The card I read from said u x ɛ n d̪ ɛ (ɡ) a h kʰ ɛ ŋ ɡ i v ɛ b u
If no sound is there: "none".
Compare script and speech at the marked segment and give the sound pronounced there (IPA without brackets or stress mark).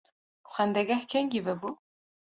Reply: ɡ